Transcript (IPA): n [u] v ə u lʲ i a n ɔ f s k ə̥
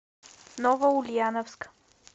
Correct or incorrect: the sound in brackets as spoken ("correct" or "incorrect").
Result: incorrect